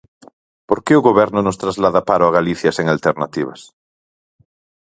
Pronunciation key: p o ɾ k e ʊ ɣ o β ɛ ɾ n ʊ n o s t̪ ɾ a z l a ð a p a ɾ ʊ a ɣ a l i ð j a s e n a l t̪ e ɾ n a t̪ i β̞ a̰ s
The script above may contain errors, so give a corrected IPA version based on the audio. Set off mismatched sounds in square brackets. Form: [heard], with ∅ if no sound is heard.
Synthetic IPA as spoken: p o ɾ k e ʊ ɣ o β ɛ ɾ n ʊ n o s t̪ ɾ a z l a ð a p a ɾ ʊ a ɣ a l i [θ] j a s e [ŋ] a l t̪ e ɾ n a t̪ i β̞ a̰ s

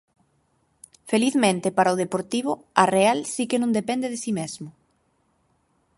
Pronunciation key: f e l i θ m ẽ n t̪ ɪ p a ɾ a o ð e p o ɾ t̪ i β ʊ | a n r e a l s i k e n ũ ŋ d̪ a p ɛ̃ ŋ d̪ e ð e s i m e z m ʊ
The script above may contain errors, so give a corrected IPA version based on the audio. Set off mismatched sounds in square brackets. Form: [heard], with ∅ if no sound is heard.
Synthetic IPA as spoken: f e l i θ m ẽ n t̪ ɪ p a ɾ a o ð e p o ɾ t̪ i β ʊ | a [∅] r e a l s i k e n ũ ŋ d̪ [e] p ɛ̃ [n] d̪ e ð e s i m e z m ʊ

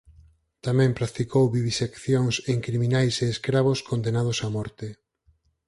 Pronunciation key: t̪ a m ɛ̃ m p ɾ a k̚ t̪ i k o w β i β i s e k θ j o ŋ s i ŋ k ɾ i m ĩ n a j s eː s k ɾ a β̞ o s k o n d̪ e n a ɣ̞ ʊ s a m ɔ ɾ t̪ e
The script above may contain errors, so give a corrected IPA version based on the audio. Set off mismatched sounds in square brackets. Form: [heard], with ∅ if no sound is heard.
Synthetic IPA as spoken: t̪ a m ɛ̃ m p ɾ a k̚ t̪ i k o w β i β i s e k θ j o ŋ s [e] ŋ k ɾ i m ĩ n a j s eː s k ɾ a β̞ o s k o n d̪ e n a [ð̞] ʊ s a m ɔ ɾ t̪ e

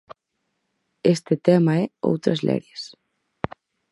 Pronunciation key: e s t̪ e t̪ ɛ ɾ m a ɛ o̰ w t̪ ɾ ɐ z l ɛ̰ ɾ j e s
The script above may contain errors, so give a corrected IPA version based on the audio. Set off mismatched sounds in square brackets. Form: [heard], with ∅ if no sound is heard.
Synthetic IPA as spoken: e s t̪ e t̪ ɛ [∅] m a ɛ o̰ w t̪ ɾ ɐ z l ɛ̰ ɾ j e s

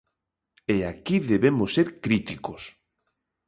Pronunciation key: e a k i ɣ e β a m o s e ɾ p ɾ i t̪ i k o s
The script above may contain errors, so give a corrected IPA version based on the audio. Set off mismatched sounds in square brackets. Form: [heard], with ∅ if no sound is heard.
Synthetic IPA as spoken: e a k i [ð] e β [e] m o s e ɾ [k] ɾ i t̪ i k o s

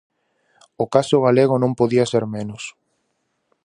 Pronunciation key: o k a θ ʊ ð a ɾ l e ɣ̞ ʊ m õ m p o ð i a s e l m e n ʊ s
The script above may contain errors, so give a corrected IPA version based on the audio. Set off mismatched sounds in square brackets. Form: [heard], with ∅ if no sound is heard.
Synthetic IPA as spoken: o k a [s] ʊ [ɣ] a [∅] l e ɣ̞ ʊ [n] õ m p o ð i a s e [ɾ] m e n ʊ s

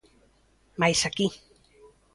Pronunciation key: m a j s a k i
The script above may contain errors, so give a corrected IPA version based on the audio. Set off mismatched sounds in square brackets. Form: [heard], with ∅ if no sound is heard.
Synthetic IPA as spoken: m a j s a k i

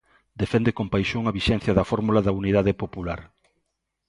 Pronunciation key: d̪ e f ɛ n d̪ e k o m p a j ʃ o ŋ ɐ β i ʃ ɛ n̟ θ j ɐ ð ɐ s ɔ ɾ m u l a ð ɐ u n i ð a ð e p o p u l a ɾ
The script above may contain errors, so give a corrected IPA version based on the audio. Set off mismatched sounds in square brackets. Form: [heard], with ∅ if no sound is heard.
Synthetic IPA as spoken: d̪ e f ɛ n d̪ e k o m p a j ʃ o ŋ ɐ β i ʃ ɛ n̟ θ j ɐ ð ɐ [f] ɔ ɾ m u l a ð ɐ u n i ð a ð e p o p u l a ɾ

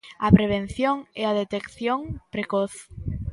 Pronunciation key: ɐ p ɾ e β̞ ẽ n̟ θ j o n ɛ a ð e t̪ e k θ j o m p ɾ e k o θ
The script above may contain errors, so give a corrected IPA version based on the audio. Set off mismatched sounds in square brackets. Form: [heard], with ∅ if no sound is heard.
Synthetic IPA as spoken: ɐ p ɾ e β̞ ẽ n̟ θ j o [ŋ] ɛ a ð e t̪ e k θ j o [ŋ] p ɾ e k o θ

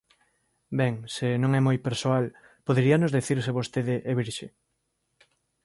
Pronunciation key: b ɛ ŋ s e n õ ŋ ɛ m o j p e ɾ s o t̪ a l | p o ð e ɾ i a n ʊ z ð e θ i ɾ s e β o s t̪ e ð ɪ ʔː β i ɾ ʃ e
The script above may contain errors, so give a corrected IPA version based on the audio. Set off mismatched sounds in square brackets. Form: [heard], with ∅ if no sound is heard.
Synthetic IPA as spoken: b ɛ ŋ s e n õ ŋ ɛ m o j p e ɾ s o [∅] a l | p o ð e ɾ i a n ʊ z ð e θ i ɾ s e β o s t̪ e ð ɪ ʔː β i ɾ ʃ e

